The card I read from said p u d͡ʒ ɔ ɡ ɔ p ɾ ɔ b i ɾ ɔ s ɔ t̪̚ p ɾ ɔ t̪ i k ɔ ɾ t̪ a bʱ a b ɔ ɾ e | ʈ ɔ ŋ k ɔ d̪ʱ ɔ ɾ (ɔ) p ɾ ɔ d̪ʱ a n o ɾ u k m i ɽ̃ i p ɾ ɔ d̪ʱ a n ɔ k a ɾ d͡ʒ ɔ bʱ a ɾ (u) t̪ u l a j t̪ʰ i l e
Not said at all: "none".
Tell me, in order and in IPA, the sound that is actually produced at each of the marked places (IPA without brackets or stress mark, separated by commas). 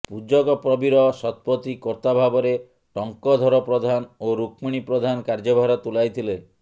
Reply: ɔ, ɔ